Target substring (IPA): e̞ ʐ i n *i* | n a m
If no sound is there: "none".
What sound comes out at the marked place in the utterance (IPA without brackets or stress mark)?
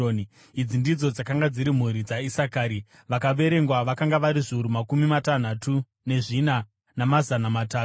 a